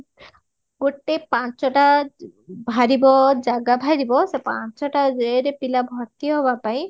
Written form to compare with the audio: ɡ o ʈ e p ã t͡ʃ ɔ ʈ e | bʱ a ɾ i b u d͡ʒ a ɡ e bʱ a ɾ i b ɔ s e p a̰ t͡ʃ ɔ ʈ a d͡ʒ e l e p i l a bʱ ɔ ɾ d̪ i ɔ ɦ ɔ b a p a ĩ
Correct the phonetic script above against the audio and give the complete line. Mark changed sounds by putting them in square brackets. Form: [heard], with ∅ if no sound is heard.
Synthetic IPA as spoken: ɡ o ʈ e p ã t͡ʃ ɔ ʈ [a] | bʱ a ɾ i b [ɔ] d͡ʒ a ɡ [a] bʱ a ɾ i b ɔ s e p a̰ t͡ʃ ɔ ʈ a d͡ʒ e [ɾ] e p i l a bʱ ɔ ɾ [t̪] i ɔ ɦ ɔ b a p a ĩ